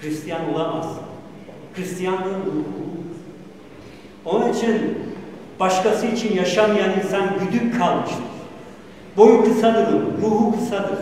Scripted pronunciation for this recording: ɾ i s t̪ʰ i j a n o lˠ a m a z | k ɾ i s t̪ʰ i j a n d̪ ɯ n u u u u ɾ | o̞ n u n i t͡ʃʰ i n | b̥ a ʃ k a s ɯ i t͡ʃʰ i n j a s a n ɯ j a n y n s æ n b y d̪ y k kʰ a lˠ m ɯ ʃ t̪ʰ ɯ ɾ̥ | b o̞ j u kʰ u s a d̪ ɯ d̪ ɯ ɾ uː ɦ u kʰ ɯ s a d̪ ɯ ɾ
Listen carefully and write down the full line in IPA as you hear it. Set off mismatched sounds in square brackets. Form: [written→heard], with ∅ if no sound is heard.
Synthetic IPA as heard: ɾ i s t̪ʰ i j a n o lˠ a m a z | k ɾ i s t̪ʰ i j a n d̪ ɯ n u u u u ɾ | o̞ n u n i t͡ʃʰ i n | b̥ a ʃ k a s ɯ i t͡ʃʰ i n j a [s→ʃ] a [n→m] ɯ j a n [y→i] n s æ n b y d̪ y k kʰ a lˠ m ɯ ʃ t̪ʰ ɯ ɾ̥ | b o̞ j u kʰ [u→ɯ] s a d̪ ɯ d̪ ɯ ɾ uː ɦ u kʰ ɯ s a d̪ ɯ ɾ